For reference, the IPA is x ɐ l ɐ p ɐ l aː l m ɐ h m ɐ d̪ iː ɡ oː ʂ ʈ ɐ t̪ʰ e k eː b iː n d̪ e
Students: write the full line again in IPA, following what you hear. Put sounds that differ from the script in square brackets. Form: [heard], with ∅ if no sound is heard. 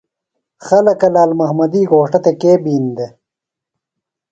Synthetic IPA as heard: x ɐ l ɐ [k] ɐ l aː l m ɐ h m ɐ d̪ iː ɡ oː ʂ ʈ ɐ [t̪] e k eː b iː n d̪ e